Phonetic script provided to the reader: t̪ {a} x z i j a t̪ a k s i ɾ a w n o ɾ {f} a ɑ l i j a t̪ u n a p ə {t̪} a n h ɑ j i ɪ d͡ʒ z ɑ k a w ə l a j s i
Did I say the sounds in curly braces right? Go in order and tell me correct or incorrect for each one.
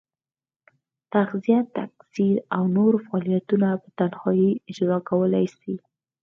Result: correct, correct, correct

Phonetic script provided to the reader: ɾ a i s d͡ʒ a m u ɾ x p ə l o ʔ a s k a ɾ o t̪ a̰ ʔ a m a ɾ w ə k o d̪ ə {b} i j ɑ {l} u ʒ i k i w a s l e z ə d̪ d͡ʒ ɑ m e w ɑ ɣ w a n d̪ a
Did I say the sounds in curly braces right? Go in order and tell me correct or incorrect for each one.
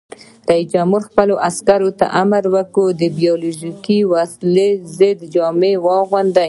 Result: correct, correct

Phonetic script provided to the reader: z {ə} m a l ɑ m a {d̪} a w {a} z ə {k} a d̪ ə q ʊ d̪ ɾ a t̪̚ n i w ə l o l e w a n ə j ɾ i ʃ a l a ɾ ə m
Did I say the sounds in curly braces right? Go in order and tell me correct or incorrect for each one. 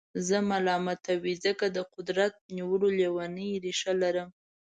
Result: correct, incorrect, incorrect, correct

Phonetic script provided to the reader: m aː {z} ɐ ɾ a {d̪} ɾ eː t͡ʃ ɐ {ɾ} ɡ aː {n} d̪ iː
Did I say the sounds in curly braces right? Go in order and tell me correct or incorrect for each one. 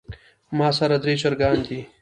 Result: incorrect, correct, correct, correct

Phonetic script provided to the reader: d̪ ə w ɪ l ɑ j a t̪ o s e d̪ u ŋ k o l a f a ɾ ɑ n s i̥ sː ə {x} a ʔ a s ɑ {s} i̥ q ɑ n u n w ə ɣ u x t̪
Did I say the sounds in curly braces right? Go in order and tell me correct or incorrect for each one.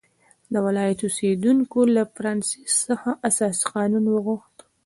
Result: correct, correct

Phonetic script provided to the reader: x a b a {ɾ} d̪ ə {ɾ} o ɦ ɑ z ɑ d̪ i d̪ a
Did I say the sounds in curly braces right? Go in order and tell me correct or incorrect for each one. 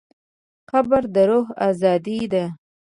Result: correct, correct

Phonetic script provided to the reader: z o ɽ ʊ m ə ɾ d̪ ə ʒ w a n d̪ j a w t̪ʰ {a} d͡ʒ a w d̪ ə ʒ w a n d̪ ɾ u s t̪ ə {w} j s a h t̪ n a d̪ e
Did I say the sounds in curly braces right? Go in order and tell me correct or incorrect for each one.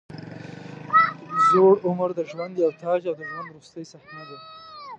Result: incorrect, incorrect

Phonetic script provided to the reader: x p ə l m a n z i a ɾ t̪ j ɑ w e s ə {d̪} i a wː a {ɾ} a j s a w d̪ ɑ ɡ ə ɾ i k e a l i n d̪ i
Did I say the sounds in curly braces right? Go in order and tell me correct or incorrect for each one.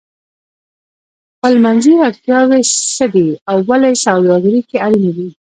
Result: correct, incorrect

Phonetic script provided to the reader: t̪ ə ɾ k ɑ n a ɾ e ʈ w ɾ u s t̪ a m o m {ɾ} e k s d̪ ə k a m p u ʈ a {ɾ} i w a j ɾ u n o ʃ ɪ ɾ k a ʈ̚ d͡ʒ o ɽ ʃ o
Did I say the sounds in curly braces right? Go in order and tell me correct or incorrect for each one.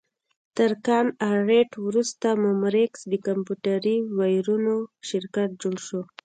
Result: correct, correct

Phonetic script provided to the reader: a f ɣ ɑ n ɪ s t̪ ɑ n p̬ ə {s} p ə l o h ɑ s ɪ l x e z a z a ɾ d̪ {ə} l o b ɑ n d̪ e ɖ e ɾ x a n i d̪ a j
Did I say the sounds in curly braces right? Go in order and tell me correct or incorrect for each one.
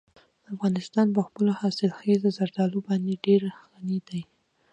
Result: incorrect, incorrect

